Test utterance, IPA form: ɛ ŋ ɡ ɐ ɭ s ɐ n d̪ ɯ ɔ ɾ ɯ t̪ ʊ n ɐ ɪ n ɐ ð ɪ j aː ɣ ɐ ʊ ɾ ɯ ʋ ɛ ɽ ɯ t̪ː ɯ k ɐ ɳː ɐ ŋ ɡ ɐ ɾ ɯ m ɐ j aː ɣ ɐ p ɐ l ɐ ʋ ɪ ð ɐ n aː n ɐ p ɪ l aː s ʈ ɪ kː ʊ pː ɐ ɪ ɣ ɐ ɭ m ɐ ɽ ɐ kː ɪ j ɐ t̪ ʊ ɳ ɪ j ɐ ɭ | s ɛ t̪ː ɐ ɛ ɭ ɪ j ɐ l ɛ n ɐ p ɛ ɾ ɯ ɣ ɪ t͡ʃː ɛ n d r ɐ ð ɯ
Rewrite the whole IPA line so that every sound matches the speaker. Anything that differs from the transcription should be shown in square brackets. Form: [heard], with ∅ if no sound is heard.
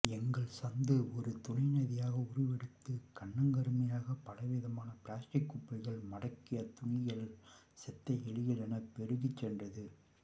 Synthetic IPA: ɛ ŋ ɡ ɐ ɭ s ɐ n d̪ ɯ ɔ ɾ ɯ t̪ ʊ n ɐ ɪ n ɐ ð ɪ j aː ɣ ɐ ʊ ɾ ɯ ʋ ɛ ɽ ɯ t̪ː ɯ k ɐ ɳː ɐ ŋ ɡ ɐ ɾ ɯ m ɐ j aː ɣ ɐ p ɐ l ɐ ʋ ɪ ð ɐ [m] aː n ɐ p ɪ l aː s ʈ ɪ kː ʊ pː ɐ ɪ ɣ ɐ ɭ m ɐ ɽ ɐ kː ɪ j ɐ t̪ ʊ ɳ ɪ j ɐ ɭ | s ɛ t̪ː ɐ ɛ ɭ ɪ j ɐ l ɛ n ɐ p ɛ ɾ ɯ ɣ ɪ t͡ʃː ɛ n d r ɐ ð ɯ